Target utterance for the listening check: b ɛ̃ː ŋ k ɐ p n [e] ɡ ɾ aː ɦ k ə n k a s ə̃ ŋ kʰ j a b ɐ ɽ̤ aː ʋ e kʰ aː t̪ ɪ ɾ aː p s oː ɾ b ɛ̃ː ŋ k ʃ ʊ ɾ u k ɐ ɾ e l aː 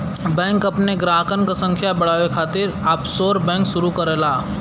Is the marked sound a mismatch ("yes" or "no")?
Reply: no